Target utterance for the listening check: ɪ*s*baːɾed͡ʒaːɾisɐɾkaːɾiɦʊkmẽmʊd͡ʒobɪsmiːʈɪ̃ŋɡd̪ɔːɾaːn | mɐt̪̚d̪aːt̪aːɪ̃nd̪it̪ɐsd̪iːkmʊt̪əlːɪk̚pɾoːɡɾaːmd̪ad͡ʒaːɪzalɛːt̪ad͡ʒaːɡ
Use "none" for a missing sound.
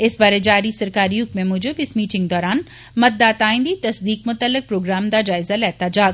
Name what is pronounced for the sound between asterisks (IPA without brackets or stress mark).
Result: s